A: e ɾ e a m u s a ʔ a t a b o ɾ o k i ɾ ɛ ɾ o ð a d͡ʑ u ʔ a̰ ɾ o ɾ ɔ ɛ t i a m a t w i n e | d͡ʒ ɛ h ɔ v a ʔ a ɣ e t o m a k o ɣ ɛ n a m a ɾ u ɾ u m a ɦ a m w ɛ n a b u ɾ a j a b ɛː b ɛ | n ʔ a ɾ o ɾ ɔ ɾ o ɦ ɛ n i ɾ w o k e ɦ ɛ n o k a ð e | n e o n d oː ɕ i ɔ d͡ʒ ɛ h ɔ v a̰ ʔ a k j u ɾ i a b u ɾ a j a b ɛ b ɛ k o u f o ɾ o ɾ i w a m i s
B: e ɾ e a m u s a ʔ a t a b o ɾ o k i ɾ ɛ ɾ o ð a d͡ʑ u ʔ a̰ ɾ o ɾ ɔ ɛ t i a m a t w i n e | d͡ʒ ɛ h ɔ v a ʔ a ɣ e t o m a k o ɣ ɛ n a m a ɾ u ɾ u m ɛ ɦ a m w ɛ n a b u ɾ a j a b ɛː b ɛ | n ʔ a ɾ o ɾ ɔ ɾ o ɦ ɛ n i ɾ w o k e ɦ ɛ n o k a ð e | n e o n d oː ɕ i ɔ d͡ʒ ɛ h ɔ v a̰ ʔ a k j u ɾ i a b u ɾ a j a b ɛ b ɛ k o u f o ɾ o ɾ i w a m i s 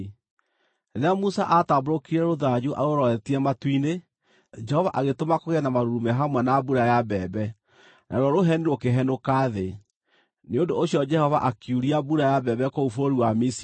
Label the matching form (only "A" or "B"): B